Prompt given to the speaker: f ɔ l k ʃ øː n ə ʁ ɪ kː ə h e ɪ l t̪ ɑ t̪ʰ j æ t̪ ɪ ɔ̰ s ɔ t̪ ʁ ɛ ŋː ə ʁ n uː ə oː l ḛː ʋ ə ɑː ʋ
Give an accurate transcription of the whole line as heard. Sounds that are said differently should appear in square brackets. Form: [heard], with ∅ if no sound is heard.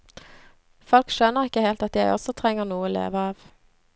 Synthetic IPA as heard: f ɔ l k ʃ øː n ə ʁ ɪ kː ə h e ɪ l t̪ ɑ [t̪] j æ [∅] ɪ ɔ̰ s ɔ [t̪ʰ] ʁ ɛ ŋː ə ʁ n uː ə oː l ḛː ʋ ə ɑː ʋ

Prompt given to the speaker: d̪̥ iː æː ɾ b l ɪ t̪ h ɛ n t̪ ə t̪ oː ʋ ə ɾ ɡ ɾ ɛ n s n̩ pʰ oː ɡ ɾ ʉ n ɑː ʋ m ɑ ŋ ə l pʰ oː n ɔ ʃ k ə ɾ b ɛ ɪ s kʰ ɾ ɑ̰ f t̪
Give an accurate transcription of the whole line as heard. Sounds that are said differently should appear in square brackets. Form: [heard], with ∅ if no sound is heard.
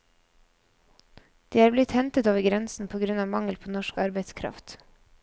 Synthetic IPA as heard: d̪̥ iː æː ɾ b l ɪ t̪ h ɛ n t̪ ə t̪ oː ʋ ə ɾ ɡ ɾ ɛ n s n̩ pʰ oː ɡ ɾ ʉ n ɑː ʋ m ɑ ŋ ə l pʰ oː n ɔ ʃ k [ɑ] ɾ b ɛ ɪ s kʰ ɾ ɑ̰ f t̪

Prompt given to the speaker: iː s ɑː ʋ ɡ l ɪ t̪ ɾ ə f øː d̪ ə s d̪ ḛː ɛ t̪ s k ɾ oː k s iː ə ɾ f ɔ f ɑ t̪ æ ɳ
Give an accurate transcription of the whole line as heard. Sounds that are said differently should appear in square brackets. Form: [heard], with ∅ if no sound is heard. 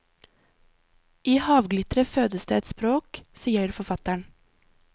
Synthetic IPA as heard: iː [h] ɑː ʋ ɡ l ɪ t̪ ɾ ə f øː d̪ ə s d̪ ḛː ɛ t̪ s [p] ɾ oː k s iː ə ɾ f ɔ f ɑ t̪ æ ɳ

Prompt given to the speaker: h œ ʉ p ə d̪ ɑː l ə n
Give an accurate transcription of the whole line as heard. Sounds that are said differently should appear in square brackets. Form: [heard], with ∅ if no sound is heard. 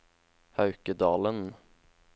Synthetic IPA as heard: h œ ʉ [k] ə d̪ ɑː l ə n

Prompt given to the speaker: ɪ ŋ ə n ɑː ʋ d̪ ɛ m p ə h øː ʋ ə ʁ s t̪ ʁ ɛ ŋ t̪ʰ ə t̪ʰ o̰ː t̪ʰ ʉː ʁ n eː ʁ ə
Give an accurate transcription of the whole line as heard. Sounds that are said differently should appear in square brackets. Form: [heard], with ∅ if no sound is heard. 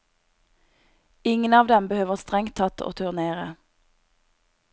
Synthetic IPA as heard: ɪ ŋ ə n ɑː ʋ d̪ ɛ m [b] ə h øː ʋ ə ʁ s t̪ ʁ ɛ ŋ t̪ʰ [ɑ] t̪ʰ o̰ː t̪ʰ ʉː ʁ n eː ʁ ə

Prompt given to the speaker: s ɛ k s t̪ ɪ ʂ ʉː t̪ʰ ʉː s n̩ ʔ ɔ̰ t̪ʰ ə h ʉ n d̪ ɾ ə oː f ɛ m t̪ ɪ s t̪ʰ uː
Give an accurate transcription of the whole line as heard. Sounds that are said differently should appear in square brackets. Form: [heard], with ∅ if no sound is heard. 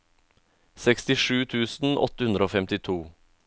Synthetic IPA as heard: s ɛ k s t̪ ɪ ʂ ʉː t̪ʰ ʉː s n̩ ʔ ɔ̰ [t̪] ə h ʉ n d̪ ɾ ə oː f ɛ m t̪ ɪ [∅] t̪ʰ uː

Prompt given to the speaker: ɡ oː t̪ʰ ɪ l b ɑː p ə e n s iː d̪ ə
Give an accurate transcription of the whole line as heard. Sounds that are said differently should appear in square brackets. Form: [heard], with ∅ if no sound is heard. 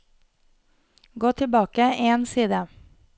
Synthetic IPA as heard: ɡ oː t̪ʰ ɪ l b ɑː [k] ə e n s iː d̪ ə

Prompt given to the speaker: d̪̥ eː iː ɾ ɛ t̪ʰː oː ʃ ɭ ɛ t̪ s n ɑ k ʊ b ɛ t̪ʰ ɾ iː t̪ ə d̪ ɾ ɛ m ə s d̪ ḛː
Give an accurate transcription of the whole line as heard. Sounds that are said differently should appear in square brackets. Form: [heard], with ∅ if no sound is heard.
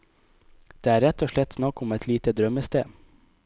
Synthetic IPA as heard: d̪̥ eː [æː] ɾ ɛ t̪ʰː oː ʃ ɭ ɛ t̪ s n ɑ k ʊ [m] ɛ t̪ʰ [l] iː t̪ ə d̪ ɾ [œ] m ə s [t̪] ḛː

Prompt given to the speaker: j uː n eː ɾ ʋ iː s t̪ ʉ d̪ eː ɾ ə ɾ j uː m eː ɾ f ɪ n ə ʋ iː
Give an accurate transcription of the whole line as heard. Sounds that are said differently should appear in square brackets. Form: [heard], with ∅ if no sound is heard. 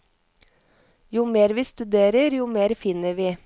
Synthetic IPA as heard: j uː [m] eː ɾ ʋ iː s t̪ ʉ d̪ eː ɾ ə ɾ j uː m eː ɾ f ɪ n ə ʋ iː

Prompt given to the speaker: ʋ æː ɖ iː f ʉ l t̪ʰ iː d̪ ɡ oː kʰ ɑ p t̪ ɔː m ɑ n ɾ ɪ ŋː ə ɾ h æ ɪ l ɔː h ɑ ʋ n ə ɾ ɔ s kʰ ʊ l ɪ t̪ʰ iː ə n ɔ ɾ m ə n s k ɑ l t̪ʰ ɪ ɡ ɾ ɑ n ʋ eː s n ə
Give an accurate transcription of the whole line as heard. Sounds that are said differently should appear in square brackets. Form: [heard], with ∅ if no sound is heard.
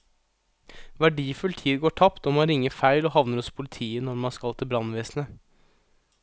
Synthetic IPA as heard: ʋ [æ] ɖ iː f ʉ l t̪ʰ iː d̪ ɡ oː [ʈʰ] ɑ p t̪ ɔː m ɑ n ɾ ɪ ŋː ə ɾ [f] æ ɪ l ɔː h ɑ ʋ n ə ɾ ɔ s [pʰ] ʊ l ɪ t̪ʰ iː ə n ɔ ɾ m [ɑ] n s k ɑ l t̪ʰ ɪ [b] ɾ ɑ n ʋ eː s n ə

